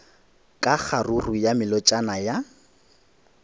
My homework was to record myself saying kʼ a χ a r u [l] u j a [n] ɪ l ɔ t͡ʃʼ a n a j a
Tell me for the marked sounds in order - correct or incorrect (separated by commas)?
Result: incorrect, incorrect